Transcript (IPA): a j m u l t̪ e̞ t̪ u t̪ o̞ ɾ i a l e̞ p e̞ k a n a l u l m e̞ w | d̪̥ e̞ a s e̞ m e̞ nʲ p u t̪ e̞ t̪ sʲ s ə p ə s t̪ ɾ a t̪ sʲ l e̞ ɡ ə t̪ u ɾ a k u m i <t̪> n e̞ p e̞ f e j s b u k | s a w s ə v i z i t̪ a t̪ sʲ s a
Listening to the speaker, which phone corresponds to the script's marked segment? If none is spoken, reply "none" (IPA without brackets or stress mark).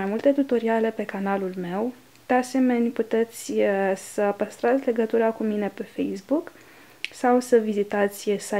none